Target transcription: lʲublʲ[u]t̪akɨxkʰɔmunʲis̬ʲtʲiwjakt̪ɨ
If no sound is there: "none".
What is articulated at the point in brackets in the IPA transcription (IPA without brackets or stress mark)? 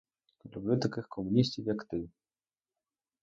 u